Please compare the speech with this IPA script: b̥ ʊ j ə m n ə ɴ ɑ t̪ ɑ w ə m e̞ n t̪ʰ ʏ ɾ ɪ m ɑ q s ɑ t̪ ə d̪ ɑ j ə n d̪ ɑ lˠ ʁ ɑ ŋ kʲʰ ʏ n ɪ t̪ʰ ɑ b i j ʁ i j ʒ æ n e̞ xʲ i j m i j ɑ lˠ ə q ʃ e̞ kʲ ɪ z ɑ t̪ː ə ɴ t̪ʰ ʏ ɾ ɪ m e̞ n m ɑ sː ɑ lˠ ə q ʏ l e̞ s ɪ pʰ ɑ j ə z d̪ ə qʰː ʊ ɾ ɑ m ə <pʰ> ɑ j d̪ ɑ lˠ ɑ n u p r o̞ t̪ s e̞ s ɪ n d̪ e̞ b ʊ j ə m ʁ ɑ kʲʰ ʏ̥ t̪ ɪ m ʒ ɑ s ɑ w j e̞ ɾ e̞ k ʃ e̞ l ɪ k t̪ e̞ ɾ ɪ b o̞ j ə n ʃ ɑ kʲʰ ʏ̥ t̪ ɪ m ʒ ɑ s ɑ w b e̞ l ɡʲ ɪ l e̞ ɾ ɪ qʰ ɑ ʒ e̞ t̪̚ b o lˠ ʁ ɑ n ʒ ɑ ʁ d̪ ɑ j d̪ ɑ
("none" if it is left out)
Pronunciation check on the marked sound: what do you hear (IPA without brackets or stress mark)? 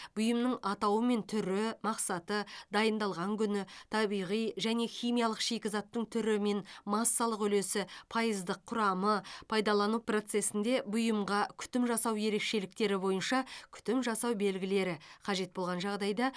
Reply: pʰ